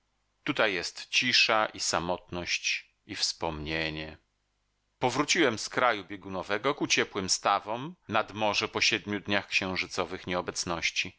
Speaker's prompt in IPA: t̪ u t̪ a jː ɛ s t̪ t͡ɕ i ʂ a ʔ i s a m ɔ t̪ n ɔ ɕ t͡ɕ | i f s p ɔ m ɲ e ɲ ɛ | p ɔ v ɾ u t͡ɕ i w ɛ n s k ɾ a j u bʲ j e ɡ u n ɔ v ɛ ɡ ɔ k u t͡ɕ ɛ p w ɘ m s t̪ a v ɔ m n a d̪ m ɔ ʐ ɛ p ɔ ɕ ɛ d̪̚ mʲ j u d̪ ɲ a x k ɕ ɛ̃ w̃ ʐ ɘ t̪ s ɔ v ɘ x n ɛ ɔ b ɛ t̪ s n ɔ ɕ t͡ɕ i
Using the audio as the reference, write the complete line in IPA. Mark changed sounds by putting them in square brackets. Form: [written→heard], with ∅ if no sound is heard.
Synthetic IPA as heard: t̪ u t̪ a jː ɛ s t̪ t͡ɕ i ʂ a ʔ i s a m ɔ t̪ n ɔ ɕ t͡ɕ | i f s p ɔ m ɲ e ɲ ɛ | p ɔ v ɾ u t͡ɕ i w ɛ [n→m] s k ɾ a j u bʲ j e ɡ u n ɔ v ɛ ɡ ɔ k u t͡ɕ ɛ p w ɘ m s t̪ a v ɔ m n a d̪ m ɔ ʐ ɛ p ɔ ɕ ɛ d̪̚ mʲ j u d̪ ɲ a x k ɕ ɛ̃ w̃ ʐ ɘ t̪ s ɔ v ɘ x [n→ɲ] ɛ ɔ b ɛ t̪ s n ɔ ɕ t͡ɕ i